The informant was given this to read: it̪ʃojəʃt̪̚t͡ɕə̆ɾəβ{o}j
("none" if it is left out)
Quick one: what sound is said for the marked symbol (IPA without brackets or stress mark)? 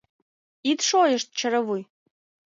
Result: u